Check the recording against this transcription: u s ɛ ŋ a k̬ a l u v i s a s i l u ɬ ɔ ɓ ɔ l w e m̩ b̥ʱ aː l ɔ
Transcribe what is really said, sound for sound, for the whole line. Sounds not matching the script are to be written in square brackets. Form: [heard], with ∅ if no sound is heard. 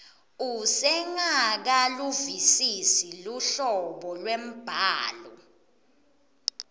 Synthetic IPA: u s ɛ ŋ a k̬ a l u v i s [i] s i l u ɬ ɔ ɓ ɔ l w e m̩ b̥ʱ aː l ɔ